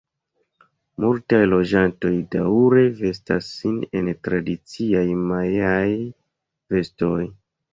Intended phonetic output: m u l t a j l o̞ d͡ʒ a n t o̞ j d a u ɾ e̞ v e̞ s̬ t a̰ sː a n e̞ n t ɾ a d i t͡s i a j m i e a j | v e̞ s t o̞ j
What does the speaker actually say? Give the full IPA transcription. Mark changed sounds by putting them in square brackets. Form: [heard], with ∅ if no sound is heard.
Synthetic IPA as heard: m u l t a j l o̞ d͡ʒ a n t o̞ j d a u ɾ e̞ v e̞ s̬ t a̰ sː [i] n e̞ n t ɾ a d i t͡s i a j m [a] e a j | v e̞ s t o̞ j

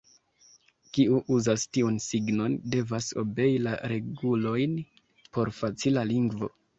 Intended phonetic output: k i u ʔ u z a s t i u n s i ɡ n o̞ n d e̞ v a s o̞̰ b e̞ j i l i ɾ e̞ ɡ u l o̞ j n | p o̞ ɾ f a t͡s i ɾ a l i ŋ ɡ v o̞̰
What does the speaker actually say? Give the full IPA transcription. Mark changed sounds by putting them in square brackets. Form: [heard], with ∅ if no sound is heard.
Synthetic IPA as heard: k i u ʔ u z a s t i u n s i ɡ n o̞ n d e̞ v a s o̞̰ b e̞ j i l [a] ɾ e̞ ɡ u l o̞ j n | p o̞ ɾ f a t͡s i [l] a l i ŋ ɡ v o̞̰

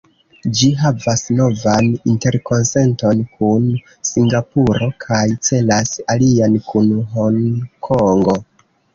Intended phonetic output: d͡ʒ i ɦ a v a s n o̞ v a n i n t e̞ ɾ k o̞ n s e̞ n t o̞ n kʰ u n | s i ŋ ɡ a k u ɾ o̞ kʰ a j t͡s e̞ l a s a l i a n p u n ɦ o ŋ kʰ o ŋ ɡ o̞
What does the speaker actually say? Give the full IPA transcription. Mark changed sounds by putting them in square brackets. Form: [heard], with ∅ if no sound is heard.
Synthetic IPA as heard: d͡ʒ i ɦ a v a s n o̞ v a n i n t e̞ ɾ k o̞ n s e̞ n t o̞ n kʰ u n | s i ŋ ɡ a [p] u ɾ o̞ kʰ a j t͡s e̞ l a s a l i a n [k] u n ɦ o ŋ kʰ o ŋ ɡ o̞

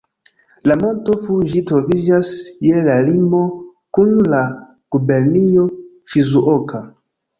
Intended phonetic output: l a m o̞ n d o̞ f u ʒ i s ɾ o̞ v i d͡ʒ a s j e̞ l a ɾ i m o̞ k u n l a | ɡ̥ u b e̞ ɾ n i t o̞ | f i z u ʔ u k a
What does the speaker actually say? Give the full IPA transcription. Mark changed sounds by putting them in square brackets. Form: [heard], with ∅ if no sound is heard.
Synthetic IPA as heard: l a m o̞ n [t] o̞ f u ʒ i [t] ɾ o̞ v i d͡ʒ a s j e̞ l a [l] i m o̞ k u n l a | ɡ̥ u b e̞ ɾ n i [∅] o̞ | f i z u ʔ [o] k a

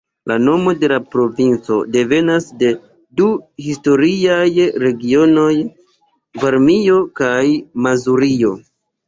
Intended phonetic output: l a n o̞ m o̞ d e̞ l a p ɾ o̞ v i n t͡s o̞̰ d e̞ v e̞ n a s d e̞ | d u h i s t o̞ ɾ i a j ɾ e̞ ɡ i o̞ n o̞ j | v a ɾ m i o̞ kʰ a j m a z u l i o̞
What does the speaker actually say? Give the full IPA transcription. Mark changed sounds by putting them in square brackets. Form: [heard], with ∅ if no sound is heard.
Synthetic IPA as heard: l a n o̞ m o̞ d e̞ l a p ɾ o̞ v i n t͡s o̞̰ d e̞ v e̞ n a s d e̞ | d u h i s t o̞ ɾ i a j ɾ e̞ ɡ i o̞ n o̞ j | v a ɾ m i o̞ [k] a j m a z u [ɾ] i o̞

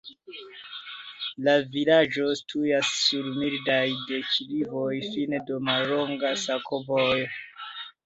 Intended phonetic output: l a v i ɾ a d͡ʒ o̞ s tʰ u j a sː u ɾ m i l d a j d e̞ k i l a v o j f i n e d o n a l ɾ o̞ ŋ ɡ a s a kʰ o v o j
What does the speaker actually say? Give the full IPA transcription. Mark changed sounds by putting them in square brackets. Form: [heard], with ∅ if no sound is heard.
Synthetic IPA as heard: l a v i [l] a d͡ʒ o̞ s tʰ u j a sː u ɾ m i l d a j d e̞ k i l [i] v o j f i n e d o [m] a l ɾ o̞ ŋ ɡ a s a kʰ o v o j

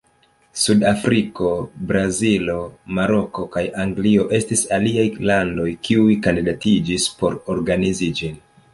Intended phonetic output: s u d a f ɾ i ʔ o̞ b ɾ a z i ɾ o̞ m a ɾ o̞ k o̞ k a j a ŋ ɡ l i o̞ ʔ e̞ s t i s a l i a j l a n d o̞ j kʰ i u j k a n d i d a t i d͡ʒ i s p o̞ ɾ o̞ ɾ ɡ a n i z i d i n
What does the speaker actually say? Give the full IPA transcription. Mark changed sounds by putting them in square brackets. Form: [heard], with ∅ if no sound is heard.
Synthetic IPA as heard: s u d a f ɾ i [k] o̞ b ɾ a z i [l] o̞ m a ɾ o̞ k o̞ k a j a ŋ ɡ l i o̞ ʔ e̞ s t i s a l i a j l a n d o̞ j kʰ i u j k a n d i d a t i d͡ʒ i s p o̞ ɾ o̞ ɾ ɡ a n i z i [d͡ʒ] i n

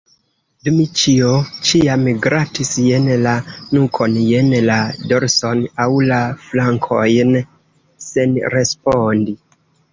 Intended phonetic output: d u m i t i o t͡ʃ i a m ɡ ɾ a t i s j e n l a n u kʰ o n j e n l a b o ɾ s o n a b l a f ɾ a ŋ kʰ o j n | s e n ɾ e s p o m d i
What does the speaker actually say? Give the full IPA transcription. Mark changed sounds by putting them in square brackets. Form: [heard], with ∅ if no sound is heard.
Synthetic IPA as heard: d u m i [t͡ʃ] i o t͡ʃ i a m ɡ ɾ a t i s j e n l a n u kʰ o n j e n l a [d] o ɾ s o n a [w] l a f [l] a ŋ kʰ o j n | s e n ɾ e s p o [n] d i

